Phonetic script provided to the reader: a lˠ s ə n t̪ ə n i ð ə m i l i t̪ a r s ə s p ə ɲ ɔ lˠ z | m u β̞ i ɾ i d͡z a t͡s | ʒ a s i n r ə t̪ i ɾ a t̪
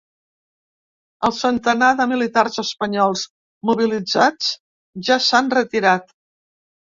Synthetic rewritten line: ə lˠ s ə n t̪ ə n a ð ə m i l i t̪ a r z ə s p ə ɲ ɔ lˠ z | m u β̞ i l i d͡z a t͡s | ʒ a s a n r ə t̪ i ɾ a t̪